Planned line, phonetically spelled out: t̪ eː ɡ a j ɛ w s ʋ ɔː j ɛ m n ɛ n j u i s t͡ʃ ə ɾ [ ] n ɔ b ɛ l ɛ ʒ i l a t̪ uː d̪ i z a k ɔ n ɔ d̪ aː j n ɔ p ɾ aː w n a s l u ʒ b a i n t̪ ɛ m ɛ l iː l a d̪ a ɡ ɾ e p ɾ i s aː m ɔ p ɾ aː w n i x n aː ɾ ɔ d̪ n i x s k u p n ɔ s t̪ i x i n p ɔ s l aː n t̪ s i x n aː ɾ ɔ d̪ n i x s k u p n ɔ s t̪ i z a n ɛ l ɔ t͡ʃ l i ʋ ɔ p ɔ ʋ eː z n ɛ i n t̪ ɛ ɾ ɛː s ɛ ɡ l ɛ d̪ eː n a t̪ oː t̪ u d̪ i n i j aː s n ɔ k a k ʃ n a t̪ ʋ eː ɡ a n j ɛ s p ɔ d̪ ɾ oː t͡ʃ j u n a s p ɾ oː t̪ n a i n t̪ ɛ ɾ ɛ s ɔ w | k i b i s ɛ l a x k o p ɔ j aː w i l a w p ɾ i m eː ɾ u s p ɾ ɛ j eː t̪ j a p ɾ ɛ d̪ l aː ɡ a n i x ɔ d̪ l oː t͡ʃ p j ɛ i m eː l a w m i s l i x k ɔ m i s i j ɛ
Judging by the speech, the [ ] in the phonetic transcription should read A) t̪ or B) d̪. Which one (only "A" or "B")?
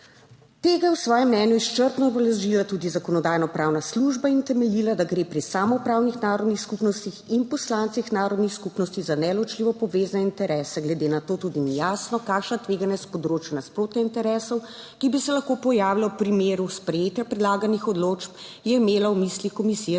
A